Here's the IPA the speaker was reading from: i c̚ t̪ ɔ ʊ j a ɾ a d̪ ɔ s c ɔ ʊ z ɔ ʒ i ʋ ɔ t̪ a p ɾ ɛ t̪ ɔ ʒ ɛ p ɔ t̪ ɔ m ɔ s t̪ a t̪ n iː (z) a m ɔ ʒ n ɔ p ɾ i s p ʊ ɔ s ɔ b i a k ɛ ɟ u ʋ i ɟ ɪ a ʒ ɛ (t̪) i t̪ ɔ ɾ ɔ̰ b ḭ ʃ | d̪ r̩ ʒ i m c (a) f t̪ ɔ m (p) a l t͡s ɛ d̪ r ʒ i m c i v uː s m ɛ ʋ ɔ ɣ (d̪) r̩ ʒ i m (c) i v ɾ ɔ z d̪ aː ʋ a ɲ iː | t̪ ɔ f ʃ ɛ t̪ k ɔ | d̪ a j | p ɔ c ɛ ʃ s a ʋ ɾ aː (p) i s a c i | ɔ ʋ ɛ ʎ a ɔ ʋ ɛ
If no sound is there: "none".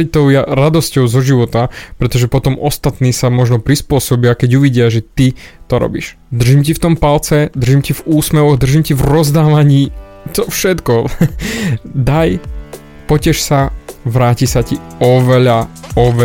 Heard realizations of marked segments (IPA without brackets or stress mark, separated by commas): s, t̪, i, p, d̪, c, c